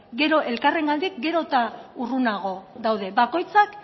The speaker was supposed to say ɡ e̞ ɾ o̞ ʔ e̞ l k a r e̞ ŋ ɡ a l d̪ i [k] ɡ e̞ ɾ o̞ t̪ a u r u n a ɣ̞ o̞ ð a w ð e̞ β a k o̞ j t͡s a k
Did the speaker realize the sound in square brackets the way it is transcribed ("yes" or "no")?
yes